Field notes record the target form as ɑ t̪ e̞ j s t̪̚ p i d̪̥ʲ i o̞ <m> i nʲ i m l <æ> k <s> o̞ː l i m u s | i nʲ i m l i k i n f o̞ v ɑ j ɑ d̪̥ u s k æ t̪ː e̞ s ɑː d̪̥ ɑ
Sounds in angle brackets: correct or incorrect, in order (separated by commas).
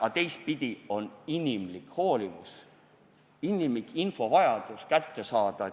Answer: incorrect, incorrect, incorrect